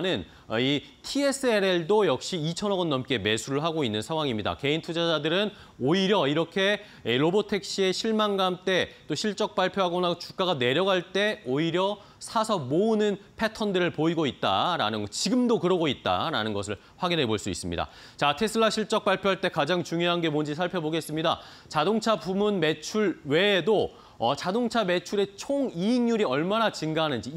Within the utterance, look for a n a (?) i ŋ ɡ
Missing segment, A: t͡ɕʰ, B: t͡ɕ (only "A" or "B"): B